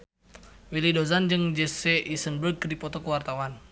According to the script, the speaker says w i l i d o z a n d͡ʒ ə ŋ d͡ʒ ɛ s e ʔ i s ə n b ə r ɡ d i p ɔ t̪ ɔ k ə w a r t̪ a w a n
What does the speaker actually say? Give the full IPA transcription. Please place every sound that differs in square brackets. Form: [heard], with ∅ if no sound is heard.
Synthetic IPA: w i l i d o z a n d͡ʒ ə ŋ d͡ʒ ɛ s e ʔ i s ə n b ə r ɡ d i p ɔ t̪ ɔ k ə w a r t̪ a w a n

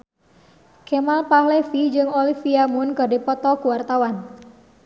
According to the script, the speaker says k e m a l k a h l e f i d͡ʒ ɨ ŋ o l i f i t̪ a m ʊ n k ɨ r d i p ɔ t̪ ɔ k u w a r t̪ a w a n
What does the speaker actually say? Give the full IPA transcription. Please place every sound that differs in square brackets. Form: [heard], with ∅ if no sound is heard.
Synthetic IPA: k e m a l [p] a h l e f i d͡ʒ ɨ ŋ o l i f i [∅] a m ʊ n k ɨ r d i p ɔ t̪ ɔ k u w a r t̪ a w a n

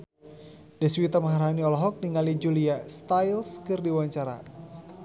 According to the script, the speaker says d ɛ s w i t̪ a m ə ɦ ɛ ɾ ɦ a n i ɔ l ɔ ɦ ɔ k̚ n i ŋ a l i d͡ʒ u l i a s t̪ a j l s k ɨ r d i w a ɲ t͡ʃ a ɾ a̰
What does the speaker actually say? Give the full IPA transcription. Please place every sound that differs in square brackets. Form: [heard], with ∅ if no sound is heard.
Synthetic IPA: d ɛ s w i t̪ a m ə ɦ [a] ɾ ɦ a n i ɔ l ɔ ɦ ɔ k̚ n i ŋ a l i d͡ʒ u l i a s t̪ a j l s k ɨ r d i w a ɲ t͡ʃ a ɾ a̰

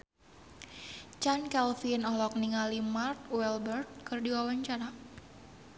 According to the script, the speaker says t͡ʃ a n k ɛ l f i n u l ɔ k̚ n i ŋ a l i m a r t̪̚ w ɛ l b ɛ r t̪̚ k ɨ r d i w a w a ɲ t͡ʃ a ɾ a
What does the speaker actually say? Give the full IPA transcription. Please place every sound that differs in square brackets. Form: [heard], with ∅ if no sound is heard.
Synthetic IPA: t͡ʃ a n k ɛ l f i n [ɔ] l ɔ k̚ n i ŋ a l i m a r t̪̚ w ɛ l b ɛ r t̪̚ k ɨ r d i w a w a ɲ t͡ʃ a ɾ a

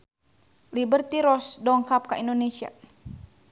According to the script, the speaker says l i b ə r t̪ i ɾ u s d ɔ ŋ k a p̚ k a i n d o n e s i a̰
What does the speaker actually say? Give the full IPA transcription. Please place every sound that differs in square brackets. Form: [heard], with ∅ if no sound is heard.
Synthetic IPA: l i b ə r t̪ i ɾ [ɔ] s d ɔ ŋ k a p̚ k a i n d o n e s i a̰

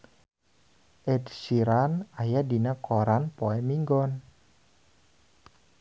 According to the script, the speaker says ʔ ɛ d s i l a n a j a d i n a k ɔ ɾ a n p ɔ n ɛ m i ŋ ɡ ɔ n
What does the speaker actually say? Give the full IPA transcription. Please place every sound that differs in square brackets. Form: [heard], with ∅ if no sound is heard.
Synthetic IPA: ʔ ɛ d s i [ɾ] a n a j a d i n a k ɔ ɾ a n p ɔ [∅] ɛ m i ŋ ɡ ɔ n

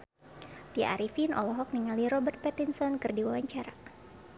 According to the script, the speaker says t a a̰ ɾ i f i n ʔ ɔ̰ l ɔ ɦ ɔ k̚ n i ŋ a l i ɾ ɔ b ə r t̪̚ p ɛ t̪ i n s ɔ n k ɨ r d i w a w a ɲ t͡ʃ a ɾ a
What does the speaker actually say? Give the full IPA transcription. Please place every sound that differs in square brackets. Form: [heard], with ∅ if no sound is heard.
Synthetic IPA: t [i] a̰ ɾ i f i n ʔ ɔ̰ l ɔ ɦ ɔ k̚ n i ŋ a l i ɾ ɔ b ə r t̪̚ p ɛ t̪ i n s ɔ n k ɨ r d i w a w a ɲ t͡ʃ a ɾ a

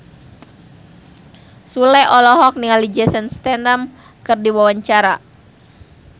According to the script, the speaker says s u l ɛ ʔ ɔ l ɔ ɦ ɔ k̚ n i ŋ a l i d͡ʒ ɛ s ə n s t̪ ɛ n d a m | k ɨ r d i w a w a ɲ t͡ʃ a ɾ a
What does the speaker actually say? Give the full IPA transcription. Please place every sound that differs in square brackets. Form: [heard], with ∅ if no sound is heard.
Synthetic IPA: s u l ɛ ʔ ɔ l ɔ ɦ ɔ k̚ n i ŋ a l i d͡ʒ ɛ s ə n s t̪ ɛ n d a m | k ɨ r d i w a w a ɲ t͡ʃ a ɾ a

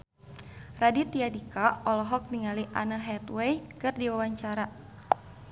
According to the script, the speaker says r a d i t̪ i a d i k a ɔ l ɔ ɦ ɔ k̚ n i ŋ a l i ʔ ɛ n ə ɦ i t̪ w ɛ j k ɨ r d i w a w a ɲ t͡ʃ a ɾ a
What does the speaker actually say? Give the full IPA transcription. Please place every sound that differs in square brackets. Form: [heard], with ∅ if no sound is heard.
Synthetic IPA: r a d i t̪ i a d i k a ɔ l ɔ ɦ ɔ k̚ n i ŋ a l i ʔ [a] n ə ɦ [ɛ] t̪ w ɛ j k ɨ r d i w a w a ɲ t͡ʃ a ɾ a

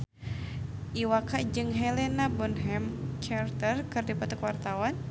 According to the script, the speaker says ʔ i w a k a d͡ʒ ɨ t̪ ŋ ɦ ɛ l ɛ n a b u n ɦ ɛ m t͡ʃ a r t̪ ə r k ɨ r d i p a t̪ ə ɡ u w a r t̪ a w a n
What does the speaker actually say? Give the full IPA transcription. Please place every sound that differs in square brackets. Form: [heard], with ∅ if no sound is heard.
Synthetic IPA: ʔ i w a k a d͡ʒ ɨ [∅] ŋ ɦ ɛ l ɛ n a b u n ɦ ɛ m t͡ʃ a r t̪ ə r k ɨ r d i p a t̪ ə [k] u w a r t̪ a w a n

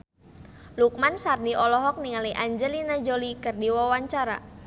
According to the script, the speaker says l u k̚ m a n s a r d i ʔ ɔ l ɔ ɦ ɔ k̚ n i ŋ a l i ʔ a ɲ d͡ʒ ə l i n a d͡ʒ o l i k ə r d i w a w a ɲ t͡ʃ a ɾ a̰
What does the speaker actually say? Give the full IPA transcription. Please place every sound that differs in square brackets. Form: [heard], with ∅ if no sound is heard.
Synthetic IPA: l u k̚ m a n s a r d i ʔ ɔ l ɔ ɦ ɔ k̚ n i ŋ a l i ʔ a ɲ d͡ʒ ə l i n a d͡ʒ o l i k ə r d i w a w a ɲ t͡ʃ a ɾ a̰

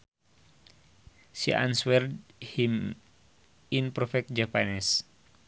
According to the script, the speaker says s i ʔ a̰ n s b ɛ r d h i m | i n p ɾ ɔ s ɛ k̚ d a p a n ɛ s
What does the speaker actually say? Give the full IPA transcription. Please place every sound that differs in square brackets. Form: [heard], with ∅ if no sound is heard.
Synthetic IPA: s i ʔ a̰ n s [w] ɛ r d h i m | i n p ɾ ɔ [f] ɛ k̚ [d͡ʒ] a p a n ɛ s

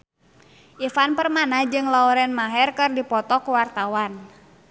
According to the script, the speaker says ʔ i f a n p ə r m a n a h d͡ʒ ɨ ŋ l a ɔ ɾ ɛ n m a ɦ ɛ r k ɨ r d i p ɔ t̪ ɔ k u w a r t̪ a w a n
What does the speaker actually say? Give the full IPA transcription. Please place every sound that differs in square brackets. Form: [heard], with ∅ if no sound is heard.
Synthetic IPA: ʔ i f a n p ə r m a n a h d͡ʒ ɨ ŋ l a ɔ ɾ ɛ n m a ɦ ɛ r k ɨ r d i p ɔ t̪ ɔ k u w a r t̪ a w a n

